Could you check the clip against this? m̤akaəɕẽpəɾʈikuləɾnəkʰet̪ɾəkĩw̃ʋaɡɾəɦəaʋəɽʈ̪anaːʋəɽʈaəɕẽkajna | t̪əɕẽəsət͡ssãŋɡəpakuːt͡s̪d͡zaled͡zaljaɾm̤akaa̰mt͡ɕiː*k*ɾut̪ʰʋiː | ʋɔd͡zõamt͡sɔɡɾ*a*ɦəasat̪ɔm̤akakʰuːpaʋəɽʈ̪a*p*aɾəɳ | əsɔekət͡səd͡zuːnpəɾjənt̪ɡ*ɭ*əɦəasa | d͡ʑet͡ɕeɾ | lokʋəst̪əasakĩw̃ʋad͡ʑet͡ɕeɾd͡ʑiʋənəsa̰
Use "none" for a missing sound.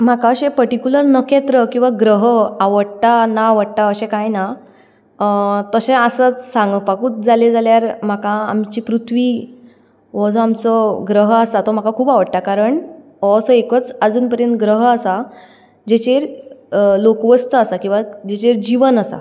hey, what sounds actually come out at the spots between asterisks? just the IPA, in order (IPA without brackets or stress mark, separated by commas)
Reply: p, ə, k, ɾ